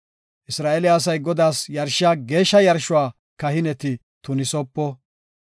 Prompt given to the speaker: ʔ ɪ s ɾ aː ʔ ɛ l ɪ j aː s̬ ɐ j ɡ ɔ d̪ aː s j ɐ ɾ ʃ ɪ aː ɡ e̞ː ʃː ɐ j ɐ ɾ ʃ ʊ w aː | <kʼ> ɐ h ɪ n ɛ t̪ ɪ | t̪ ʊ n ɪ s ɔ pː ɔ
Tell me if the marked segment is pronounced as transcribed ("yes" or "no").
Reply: no